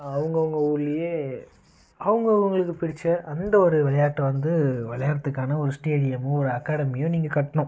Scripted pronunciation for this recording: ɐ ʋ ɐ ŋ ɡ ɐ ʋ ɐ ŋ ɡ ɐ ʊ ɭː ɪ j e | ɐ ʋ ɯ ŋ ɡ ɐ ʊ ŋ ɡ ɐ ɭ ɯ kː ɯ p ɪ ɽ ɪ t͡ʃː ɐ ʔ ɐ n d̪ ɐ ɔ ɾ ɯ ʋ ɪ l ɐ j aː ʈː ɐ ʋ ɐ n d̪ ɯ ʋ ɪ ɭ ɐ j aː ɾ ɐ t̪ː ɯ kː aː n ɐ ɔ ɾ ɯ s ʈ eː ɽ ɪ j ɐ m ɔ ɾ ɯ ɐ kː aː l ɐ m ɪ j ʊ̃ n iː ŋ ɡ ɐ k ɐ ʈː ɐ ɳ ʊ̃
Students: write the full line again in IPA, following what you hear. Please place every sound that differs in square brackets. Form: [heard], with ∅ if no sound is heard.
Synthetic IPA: ɐ ʋ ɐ ŋ ɡ ɐ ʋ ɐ ŋ ɡ ɐ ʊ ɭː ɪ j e | ɐ ʋ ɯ ŋ ɡ ɐ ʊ ŋ ɡ ɐ ɭ ɯ kː ɯ p ɪ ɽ ɪ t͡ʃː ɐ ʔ ɐ n d̪ ɐ ɔ ɾ ɯ ʋ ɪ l ɐ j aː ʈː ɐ ʋ ɐ n d̪ ɯ ʋ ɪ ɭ ɐ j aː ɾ ɐ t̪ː ɯ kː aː n ɐ ɔ ɾ ɯ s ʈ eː ɽ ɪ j ɐ m ɔ ɾ ɯ ɐ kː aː [ɽ] ɐ m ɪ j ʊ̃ n iː ŋ ɡ ɐ k ɐ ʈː ɐ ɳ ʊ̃